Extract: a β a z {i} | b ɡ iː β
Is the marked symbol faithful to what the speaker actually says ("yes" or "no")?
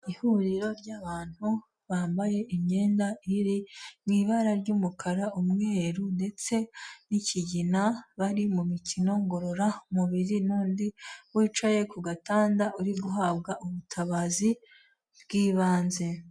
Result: yes